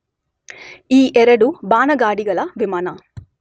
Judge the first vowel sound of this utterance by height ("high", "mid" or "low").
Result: high